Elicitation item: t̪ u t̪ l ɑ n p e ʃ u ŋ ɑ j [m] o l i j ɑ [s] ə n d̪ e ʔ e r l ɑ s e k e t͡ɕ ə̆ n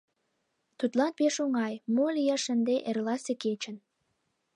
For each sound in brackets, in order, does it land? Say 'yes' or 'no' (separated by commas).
yes, no